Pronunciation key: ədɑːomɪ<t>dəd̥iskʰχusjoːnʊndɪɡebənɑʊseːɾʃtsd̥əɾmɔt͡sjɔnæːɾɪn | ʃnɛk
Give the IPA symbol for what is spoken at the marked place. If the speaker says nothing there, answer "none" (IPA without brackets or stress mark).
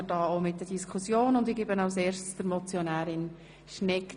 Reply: t